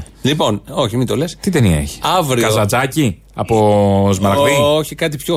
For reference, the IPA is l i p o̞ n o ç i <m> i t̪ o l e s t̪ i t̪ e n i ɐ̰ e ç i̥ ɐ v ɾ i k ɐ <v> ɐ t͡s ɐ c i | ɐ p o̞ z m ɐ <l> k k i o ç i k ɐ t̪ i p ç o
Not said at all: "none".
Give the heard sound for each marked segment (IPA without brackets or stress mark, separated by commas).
m, z, ɾ